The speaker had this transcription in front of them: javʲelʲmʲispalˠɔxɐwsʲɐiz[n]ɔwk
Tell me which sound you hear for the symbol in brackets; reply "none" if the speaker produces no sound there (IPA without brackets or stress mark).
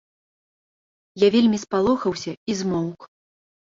m